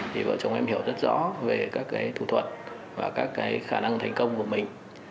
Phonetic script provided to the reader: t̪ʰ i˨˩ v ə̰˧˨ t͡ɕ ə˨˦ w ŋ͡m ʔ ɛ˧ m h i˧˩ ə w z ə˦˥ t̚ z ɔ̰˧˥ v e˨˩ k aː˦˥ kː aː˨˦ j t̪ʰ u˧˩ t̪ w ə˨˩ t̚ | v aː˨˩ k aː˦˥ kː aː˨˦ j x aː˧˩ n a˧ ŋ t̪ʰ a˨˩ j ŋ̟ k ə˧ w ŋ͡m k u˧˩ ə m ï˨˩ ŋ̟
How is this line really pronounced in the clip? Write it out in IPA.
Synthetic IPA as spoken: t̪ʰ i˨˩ v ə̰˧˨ t͡ɕ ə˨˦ w ŋ͡m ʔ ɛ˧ m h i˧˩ ə w z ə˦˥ t̚ z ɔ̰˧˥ v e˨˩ k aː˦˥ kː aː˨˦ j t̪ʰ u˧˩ t̪ʰ w ə˨˩ t̚ | v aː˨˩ k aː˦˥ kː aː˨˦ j x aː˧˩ n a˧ ŋ t̪ʰ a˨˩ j ŋ̟ k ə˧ w ŋ͡m k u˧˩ ə m ï˨˩ ŋ̟

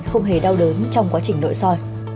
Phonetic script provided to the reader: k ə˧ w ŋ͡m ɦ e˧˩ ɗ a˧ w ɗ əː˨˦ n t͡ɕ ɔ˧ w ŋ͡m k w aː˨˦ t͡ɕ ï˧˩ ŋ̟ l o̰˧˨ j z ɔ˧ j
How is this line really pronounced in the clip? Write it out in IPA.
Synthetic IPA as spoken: x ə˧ w ŋ͡m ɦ e˧˩ ɗ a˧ w ɗ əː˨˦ n t͡ɕ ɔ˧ w ŋ͡m k w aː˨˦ t͡ɕ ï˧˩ ŋ̟ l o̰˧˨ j s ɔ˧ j

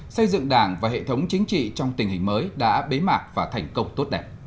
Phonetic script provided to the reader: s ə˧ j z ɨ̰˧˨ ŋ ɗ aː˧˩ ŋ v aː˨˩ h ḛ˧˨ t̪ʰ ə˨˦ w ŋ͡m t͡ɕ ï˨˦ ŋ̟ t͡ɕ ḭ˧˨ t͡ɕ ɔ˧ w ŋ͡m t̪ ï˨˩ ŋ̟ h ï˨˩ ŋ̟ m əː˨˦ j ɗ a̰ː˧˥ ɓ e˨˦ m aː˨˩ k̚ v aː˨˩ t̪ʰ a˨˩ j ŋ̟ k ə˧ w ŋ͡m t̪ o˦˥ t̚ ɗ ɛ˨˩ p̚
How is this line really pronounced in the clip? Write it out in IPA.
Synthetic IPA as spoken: s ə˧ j z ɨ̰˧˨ ŋ ɗ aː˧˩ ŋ v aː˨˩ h ḛ˧˨ t̪ʰ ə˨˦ w ŋ͡m t͡ɕ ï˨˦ ŋ̟ t͡ɕ ḭ˧˨ t͡ɕ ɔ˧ w ŋ͡m t̪ ï˨˩ ŋ̟ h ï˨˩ ŋ̟ m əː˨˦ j ɗ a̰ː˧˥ ɓ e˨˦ m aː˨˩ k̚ v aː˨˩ t̪ʰ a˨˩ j ŋ̟ k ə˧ w ŋ͡m t̪ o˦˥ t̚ ɗ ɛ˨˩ p̚

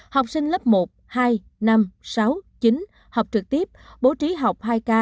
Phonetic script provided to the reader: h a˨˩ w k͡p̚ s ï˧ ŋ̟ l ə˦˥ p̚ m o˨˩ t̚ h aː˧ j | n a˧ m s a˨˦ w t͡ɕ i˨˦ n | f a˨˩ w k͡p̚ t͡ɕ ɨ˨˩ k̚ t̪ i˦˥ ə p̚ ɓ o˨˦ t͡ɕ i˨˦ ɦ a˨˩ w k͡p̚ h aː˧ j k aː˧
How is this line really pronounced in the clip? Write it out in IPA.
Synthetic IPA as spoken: h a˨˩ w k͡p̚ s ï˧ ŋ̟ l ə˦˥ p̚ m o˨˩ t̚ h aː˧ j | n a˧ m s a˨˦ w t͡ɕ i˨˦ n | h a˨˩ w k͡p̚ t͡ɕ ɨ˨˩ k̚ t̪ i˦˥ ə p̚ ɓ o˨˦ t͡ɕ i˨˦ ɦ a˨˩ w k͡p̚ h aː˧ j k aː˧

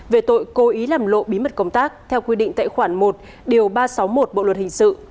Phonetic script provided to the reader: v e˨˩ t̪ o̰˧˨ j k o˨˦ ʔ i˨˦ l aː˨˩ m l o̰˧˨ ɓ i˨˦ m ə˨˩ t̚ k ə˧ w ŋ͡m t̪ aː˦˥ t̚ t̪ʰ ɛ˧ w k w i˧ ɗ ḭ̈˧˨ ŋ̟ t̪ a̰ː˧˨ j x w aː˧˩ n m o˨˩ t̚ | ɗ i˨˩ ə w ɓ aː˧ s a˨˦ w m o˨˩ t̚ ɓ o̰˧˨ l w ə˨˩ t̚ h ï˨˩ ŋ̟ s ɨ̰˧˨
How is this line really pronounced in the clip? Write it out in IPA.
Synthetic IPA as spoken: v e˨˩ t̪ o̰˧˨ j k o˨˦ ʔ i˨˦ l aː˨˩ m l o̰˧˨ ɓ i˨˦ m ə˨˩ t̚ k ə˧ w ŋ͡m t̪ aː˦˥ k̚ t̪ʰ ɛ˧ w k w i˧ ɗ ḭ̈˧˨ ŋ̟ t̪ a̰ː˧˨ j x w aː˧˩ n m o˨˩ t̚ | ɗ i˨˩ ə w ɓ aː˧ s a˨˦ w m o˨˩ t̚ ɓ o̰˧˨ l w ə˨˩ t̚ h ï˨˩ ŋ̟ s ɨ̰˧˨

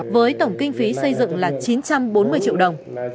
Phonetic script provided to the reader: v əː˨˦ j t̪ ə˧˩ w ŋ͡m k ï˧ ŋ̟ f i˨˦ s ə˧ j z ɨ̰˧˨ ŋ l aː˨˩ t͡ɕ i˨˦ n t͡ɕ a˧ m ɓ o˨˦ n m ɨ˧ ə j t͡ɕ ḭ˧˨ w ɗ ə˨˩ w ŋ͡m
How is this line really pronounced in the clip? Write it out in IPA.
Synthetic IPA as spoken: v əː˨˦ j t̪ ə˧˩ w ŋ͡m k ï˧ ŋ̟ f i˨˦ s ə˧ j z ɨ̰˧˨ ŋ l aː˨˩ t͡ɕ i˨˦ n t͡ɕ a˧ m ɓ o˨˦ n m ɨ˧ ə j t͡ɕ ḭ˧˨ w ɗ ə˨˩ w ŋ͡m

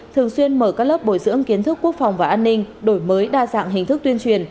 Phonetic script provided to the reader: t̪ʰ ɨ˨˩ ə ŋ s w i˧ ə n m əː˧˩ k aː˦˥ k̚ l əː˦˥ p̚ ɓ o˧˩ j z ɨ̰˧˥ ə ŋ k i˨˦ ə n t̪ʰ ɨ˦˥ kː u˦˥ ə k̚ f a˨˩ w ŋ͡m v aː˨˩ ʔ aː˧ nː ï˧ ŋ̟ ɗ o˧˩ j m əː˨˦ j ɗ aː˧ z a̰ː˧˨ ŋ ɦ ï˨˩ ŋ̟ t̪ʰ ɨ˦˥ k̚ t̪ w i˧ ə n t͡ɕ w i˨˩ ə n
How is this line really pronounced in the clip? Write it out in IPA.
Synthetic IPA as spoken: t̪ʰ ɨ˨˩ ə ŋ s w i˧ ə n m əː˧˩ k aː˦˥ k̚ l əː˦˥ p̚ ɓ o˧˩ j z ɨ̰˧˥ ə ŋ k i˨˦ ə n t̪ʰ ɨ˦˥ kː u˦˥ ə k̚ f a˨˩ w ŋ͡m v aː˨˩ ʔ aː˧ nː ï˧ ŋ̟ ɗ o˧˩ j m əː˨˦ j ɗ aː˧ z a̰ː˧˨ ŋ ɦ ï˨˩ ŋ̟ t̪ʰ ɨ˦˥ k̚ t̪ w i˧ ə n t͡ɕ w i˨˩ ə n

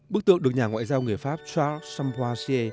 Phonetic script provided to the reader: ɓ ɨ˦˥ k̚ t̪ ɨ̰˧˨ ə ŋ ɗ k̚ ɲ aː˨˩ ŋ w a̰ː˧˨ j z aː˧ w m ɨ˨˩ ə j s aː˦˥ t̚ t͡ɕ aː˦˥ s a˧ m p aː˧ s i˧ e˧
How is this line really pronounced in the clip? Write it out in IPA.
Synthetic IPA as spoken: ɓ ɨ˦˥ k̚ t̪ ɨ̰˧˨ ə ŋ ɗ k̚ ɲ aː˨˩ ŋ w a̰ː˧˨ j z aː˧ w ŋ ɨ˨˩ ə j f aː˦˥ p̚ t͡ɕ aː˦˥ s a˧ m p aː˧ s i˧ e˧

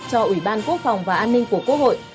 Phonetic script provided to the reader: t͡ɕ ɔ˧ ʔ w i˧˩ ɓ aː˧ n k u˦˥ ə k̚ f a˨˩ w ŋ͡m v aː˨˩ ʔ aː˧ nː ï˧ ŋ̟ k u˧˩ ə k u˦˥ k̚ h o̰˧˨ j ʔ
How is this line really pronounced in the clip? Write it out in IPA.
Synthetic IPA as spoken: t͡ɕ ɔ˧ ʔ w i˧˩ ɓ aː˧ n k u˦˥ ə k̚ f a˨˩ w ŋ͡m v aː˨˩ ʔ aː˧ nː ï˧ ŋ̟ k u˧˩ ə k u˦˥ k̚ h o̰˧˨ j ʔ

